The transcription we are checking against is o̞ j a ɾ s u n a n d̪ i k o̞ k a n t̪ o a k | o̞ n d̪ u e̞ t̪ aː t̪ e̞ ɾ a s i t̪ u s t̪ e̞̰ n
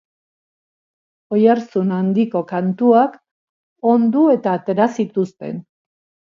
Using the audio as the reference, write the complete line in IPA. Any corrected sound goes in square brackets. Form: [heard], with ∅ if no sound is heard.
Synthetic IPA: o̞ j a ɾ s u n a n d̪ i k o̞ k a n t̪ [u] a k | o̞ n d̪ u e̞ t̪ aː t̪ e̞ ɾ a s i t̪ u s t̪ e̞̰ n

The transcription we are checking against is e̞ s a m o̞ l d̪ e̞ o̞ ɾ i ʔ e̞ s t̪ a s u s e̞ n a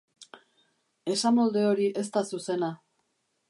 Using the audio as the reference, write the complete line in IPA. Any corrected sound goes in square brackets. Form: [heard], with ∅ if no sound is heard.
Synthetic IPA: e̞ s a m o̞ l d̪ e̞ o̞ ɾ i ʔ e̞ s t̪ a s u s e̞ n a

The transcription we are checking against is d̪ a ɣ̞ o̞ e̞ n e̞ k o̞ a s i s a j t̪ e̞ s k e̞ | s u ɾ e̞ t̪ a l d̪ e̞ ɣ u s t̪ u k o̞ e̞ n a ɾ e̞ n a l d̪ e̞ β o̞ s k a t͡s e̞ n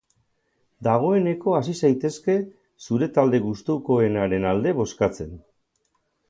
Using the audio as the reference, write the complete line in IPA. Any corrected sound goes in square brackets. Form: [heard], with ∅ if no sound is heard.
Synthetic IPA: d̪ a ɣ̞ o̞ e̞ n e̞ k o̞ a s i s a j t̪ e̞ s k e̞ | s u ɾ e̞ t̪ a l d̪ e̞ ɣ u s t̪ u k o̞ e̞ n a ɾ e̞ n a l d̪ e̞ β o̞ s k a t͡s e̞ n

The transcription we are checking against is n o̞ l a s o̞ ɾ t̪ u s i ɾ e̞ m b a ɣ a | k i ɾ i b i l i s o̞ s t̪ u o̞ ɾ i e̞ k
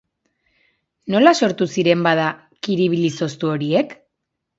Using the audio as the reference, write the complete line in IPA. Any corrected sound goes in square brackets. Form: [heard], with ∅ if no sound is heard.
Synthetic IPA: n o̞ l a s o̞ ɾ t̪ u s i ɾ e̞ m b a [ð] a | k i ɾ i [β] i l i s o̞ s t̪ u o̞ ɾ i e̞ k

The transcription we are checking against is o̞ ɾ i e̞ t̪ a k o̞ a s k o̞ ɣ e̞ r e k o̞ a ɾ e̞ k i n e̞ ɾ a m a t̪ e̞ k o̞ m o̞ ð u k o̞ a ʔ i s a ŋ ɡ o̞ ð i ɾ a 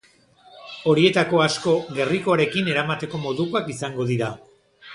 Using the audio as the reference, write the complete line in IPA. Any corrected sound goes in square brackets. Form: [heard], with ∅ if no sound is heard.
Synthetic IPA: o̞ ɾ i e̞ t̪ a k o̞ a s k o̞ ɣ e̞ r [i] k o̞ a ɾ e̞ k i n e̞ ɾ a m a t̪ e̞ k o̞ m o̞ ð u k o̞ a [k] i s a ŋ ɡ o̞ ð i ɾ a

